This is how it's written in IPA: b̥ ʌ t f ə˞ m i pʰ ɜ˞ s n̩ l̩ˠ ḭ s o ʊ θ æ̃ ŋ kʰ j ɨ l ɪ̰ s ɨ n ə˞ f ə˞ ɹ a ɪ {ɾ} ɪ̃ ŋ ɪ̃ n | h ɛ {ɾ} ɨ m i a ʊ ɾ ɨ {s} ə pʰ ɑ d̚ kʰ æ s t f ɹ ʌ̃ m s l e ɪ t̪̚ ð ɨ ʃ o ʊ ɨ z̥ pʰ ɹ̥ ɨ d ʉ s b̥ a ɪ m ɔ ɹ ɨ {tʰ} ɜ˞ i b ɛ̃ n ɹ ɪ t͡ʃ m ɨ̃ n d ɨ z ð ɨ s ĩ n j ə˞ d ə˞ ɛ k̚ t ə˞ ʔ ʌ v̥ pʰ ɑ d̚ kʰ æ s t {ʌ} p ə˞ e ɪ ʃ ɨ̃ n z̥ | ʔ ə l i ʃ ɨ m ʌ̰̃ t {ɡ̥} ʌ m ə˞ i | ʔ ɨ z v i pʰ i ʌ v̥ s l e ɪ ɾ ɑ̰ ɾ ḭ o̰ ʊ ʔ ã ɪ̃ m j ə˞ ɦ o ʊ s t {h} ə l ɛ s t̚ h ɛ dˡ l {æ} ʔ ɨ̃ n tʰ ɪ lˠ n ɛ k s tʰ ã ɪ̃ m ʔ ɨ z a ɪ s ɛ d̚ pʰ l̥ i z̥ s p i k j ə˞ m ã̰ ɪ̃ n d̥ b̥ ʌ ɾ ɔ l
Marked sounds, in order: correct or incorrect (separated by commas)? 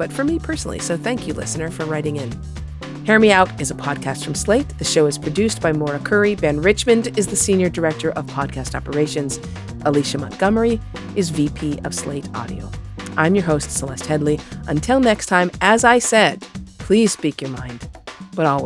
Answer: correct, incorrect, incorrect, incorrect, incorrect, correct, incorrect, incorrect